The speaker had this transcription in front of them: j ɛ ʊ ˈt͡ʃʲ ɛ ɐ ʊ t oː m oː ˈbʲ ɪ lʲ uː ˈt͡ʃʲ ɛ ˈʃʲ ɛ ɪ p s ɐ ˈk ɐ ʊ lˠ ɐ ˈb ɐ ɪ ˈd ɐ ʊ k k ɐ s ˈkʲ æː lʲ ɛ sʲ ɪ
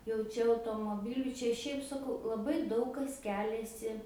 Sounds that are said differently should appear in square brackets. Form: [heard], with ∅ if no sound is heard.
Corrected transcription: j ɛ ʊ ˈt͡ʃʲ ɛ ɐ ʊ t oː m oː ˈbʲ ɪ lʲ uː ˈt͡ʃʲ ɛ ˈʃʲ ɛ ɪ p s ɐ ˈk ɐ ʊ lˠ ɐ ˈb ɐ ɪ ˈd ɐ ʊ k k ɐ s ˈkʲ æː lʲ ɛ sʲ ɪ